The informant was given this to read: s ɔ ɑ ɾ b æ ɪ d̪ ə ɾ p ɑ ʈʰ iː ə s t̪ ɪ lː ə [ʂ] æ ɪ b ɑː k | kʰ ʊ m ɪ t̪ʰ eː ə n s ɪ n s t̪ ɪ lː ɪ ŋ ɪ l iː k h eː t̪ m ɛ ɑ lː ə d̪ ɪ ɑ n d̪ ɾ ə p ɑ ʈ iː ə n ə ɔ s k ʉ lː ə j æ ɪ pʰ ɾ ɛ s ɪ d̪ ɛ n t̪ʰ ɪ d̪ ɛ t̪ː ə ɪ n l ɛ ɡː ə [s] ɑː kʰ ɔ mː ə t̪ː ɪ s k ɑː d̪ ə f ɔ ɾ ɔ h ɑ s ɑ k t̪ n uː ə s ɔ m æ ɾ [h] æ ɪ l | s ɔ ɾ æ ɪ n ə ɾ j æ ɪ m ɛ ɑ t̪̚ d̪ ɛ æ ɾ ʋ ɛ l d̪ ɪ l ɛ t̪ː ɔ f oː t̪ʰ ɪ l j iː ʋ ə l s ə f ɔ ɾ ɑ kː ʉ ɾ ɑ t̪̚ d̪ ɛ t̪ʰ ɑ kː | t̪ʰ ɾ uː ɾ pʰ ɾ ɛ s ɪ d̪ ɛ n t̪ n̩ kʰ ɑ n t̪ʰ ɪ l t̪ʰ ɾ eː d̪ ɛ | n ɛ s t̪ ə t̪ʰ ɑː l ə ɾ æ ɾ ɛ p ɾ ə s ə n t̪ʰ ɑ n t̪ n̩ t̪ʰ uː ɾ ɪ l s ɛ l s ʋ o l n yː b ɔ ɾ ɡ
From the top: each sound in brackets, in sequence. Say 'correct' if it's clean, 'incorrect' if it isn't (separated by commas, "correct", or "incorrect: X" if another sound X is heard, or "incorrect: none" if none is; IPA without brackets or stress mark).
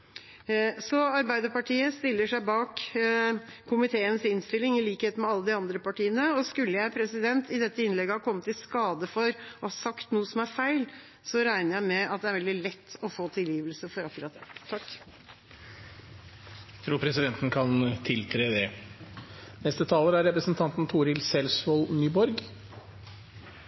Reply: correct, incorrect: h, incorrect: f